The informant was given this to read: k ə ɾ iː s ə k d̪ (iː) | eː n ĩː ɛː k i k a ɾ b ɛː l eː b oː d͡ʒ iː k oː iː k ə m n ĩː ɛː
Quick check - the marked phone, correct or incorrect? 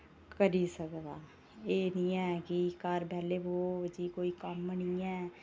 incorrect